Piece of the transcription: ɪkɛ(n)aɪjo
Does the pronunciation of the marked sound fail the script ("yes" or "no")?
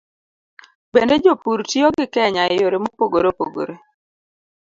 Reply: yes